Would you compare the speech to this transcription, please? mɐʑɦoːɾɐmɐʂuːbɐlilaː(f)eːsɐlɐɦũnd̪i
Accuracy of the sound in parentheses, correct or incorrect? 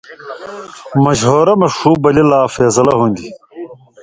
correct